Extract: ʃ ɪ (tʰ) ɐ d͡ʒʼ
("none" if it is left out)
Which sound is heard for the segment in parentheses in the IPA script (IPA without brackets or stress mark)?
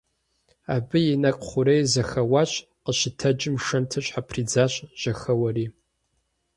tʰ